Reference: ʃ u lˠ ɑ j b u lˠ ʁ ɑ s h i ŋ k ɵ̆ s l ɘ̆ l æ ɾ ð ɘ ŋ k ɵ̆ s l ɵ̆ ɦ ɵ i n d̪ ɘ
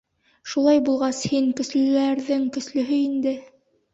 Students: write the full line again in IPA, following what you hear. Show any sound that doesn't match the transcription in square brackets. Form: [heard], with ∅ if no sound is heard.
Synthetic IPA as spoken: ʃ u lˠ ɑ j b u lˠ ʁ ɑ s h i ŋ k ɵ̆ s l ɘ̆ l æ ɾ ð ɘ ŋ k ɵ̆ s l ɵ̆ ɦ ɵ i n d̪ ɘ